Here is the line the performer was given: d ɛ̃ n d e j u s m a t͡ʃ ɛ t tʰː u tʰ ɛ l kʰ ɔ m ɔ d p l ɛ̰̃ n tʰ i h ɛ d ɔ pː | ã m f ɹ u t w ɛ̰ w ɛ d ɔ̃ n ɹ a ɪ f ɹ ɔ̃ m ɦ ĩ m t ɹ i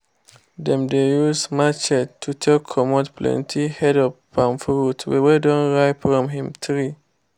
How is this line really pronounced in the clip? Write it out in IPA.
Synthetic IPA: d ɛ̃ m d e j u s m a t͡ʃ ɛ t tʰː u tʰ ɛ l kʰ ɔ m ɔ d p l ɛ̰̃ n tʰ i h ɛ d ɔ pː | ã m f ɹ u t w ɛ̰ w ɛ d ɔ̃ n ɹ a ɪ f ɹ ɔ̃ m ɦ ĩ m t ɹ i